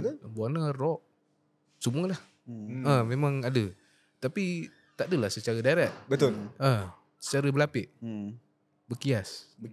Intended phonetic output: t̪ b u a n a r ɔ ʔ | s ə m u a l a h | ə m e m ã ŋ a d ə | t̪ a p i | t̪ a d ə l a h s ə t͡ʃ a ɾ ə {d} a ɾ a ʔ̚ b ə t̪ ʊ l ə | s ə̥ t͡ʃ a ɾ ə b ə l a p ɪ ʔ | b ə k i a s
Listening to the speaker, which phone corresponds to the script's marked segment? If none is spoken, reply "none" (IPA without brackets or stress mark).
d